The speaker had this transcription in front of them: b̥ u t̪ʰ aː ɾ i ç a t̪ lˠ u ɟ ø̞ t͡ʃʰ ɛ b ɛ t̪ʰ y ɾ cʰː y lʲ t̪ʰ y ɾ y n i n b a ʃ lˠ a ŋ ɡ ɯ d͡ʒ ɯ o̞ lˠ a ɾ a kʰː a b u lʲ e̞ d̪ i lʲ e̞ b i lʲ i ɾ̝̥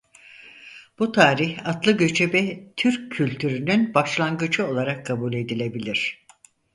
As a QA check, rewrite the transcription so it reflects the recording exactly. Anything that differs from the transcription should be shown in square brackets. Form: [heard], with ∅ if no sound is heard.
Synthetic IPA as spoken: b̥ u t̪ʰ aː ɾ i ç a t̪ lˠ [ɯ] ɟ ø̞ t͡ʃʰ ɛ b ɛ t̪ʰ y ɾ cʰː y lʲ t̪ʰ y ɾ y n [y] n b a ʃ lˠ a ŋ ɡ ɯ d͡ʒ ɯ o̞ lˠ a ɾ a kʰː a b u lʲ e̞ d̪ i lʲ e̞ b i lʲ i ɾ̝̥